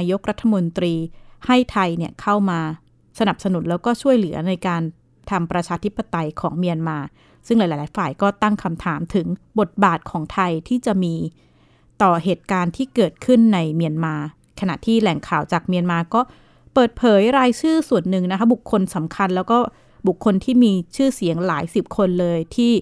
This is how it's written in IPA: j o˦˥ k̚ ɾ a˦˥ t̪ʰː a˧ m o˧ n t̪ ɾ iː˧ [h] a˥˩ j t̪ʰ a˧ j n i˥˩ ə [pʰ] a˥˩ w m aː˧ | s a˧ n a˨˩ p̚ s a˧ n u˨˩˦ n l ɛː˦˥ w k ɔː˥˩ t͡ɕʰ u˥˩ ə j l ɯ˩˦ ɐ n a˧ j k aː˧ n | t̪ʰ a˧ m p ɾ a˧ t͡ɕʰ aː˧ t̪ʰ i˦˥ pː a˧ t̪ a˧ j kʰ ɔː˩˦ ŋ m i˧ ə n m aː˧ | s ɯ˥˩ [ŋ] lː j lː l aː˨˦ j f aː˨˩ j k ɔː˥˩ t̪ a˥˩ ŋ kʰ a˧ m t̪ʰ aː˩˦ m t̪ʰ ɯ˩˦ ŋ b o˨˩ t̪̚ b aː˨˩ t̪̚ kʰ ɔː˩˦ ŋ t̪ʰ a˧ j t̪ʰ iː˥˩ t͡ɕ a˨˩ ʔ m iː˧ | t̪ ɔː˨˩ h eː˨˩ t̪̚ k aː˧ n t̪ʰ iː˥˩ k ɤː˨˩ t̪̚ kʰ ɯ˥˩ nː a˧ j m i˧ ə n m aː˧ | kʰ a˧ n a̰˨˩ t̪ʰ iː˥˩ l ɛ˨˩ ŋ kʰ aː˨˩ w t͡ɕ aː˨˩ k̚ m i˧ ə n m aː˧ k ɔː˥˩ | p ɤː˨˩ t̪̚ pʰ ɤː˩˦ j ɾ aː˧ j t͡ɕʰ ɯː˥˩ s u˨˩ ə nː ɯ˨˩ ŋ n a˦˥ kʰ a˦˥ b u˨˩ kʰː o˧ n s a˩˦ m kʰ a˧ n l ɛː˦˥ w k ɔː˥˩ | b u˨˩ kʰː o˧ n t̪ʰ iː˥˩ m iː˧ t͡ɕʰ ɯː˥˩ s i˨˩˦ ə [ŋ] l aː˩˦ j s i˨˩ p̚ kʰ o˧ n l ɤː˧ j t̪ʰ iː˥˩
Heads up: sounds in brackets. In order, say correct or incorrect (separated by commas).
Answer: correct, incorrect, correct, correct